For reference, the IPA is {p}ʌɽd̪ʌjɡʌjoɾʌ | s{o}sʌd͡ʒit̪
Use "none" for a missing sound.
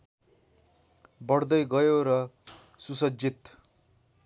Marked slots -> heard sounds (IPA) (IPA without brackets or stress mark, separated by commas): b, u